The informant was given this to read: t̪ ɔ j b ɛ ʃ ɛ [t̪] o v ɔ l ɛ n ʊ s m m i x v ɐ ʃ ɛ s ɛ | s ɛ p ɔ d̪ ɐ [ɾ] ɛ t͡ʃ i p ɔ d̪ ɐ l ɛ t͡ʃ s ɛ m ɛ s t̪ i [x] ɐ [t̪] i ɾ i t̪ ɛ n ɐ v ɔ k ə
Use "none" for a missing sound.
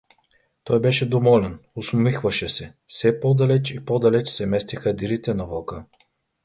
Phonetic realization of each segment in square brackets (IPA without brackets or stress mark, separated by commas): d̪, l, x, d̪